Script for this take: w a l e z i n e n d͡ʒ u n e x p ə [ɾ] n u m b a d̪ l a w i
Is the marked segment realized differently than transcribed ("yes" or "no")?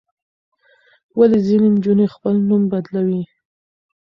yes